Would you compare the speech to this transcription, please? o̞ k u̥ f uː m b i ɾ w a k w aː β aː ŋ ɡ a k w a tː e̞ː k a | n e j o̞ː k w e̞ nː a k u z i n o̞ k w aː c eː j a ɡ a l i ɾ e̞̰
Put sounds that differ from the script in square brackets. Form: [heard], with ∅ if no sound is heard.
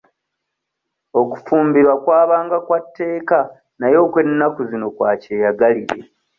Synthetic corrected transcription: o̞ k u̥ f uː m b i ɾ w a k w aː β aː ŋ ɡ a k w a tː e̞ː k a | n [a] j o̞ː k w e̞ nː a k u z i n o̞ k w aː c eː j a ɡ a l i ɾ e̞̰